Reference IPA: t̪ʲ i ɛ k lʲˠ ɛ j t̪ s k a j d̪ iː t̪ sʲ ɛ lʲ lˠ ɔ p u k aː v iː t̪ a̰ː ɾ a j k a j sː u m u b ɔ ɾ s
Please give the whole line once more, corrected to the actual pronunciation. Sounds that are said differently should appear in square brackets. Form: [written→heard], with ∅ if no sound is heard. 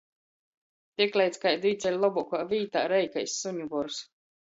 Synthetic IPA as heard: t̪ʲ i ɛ k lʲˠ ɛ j t̪ s k a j d̪ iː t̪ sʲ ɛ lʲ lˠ ɔ [p→b] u k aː v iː t̪ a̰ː ɾ [a→ɛ] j k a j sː u [m→ɲ] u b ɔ ɾ s